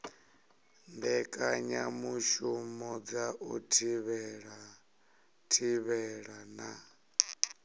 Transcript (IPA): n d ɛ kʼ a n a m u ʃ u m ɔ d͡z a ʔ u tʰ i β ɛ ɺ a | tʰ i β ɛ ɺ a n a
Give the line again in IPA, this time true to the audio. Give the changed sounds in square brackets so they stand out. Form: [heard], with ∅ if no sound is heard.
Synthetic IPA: n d ɛ kʼ a [ɲ] a m u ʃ u m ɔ d͡z a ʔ u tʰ i β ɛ ɺ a | tʰ i β ɛ ɺ a n a